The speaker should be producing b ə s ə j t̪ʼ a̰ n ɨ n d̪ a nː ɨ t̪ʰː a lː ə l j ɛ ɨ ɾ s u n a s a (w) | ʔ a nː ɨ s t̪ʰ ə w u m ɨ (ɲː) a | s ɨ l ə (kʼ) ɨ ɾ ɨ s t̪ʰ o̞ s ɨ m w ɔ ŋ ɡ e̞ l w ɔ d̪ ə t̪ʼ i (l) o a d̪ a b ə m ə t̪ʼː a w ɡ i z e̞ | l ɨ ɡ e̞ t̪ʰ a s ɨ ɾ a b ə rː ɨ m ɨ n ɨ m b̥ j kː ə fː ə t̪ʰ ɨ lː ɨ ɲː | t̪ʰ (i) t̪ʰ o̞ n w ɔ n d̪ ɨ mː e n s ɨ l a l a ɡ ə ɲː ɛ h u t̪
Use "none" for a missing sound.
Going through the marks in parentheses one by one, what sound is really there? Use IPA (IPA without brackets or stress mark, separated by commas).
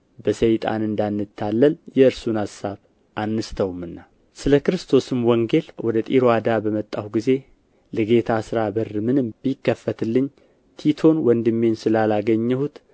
β, nː, k, ɾ, i